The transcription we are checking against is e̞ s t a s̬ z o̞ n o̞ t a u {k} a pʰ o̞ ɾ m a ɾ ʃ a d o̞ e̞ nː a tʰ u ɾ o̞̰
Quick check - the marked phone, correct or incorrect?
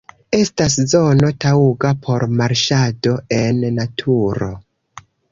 incorrect